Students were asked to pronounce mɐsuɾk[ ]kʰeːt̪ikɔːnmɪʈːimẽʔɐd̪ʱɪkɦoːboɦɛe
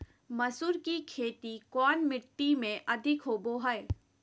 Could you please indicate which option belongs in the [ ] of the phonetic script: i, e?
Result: i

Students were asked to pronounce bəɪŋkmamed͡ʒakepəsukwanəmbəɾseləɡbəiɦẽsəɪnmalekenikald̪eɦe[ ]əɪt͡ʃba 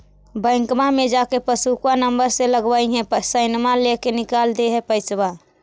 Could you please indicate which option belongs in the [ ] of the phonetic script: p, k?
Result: p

